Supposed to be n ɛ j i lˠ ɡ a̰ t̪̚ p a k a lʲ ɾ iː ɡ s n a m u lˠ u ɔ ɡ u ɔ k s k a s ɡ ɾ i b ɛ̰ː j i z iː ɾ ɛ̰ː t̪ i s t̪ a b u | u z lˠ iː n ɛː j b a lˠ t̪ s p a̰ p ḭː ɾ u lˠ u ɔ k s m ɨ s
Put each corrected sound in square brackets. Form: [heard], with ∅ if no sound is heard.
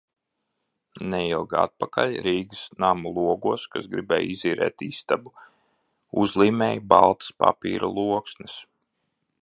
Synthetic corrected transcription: n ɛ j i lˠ ɡ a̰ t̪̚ p a k a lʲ ɾ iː ɡ s n a m u lˠ u ɔ ɡ u ɔ [∅] s k a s ɡ ɾ i b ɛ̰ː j i z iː ɾ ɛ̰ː t̪ i s t̪ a b u | u z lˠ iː [m] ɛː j b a lˠ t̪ s p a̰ p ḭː ɾ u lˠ u ɔ k s [n] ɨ s